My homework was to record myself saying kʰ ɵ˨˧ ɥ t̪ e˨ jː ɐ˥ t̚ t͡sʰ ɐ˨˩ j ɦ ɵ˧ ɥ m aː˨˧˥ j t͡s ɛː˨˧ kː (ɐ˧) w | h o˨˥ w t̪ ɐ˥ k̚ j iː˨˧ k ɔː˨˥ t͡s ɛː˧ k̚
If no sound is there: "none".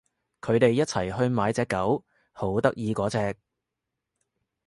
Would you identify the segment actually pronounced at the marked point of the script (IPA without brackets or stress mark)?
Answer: ɐ˨˥